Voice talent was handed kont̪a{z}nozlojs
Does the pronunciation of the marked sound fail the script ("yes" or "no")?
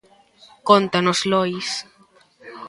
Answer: yes